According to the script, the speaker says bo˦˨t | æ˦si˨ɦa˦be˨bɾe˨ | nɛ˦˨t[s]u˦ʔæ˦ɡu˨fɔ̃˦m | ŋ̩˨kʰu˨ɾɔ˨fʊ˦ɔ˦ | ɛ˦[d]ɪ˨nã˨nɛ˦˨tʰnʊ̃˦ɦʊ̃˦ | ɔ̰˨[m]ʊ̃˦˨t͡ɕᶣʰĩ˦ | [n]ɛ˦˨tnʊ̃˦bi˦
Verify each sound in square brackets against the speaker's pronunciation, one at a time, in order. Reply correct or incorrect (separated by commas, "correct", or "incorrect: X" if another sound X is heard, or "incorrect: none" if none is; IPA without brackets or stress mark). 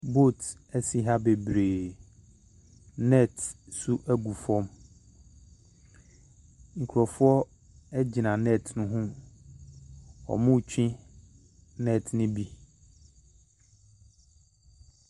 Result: correct, incorrect: d͡ʑ, correct, correct